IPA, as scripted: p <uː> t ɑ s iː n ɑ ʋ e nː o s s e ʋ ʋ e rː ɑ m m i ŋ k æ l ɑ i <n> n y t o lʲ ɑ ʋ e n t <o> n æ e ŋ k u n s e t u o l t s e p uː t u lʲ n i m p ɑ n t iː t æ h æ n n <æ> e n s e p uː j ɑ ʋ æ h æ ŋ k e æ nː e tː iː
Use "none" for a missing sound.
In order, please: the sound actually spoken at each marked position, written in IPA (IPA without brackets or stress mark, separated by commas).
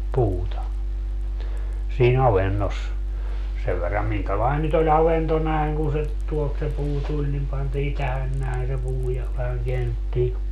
uː, n, o, æ